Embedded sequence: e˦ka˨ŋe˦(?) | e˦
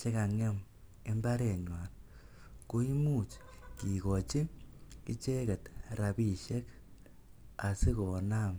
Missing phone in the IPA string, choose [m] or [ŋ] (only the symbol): m